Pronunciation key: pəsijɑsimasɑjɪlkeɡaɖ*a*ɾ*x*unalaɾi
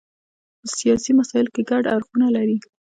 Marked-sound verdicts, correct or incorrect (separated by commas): correct, correct